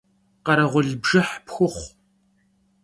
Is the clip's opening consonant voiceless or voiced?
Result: voiceless